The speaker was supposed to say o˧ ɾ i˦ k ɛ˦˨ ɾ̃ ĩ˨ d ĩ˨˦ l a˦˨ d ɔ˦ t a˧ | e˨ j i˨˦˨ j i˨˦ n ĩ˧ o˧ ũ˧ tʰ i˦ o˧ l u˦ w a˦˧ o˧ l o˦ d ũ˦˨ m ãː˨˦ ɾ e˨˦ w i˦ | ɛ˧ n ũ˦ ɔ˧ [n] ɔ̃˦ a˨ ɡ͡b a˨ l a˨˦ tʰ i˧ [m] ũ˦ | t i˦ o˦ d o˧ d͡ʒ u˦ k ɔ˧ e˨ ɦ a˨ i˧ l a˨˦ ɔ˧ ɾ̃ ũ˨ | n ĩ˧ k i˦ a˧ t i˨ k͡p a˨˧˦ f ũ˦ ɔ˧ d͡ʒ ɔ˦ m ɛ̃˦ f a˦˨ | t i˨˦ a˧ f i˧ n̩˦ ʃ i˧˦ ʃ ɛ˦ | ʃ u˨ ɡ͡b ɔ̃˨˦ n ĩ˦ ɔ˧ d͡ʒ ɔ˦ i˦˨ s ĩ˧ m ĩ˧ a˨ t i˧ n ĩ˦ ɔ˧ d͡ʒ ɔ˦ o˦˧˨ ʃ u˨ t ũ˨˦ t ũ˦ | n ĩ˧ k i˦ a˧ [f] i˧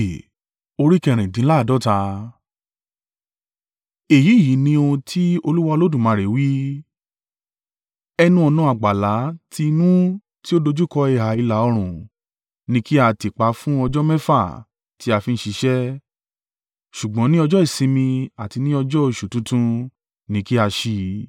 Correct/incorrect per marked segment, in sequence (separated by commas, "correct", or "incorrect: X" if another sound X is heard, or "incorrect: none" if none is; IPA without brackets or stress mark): correct, incorrect: n, incorrect: ʃ